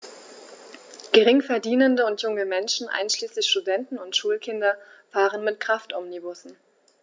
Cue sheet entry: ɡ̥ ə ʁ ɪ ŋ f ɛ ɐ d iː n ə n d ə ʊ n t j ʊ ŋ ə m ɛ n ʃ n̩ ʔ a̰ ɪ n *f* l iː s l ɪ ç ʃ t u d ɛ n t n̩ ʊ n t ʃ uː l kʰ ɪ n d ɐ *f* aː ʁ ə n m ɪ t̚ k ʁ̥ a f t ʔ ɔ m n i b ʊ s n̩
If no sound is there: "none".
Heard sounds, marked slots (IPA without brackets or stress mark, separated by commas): ʃ, f